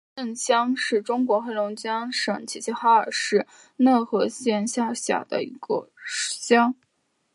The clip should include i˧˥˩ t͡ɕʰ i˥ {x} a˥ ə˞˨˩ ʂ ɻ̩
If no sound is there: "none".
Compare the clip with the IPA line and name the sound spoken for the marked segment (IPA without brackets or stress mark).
x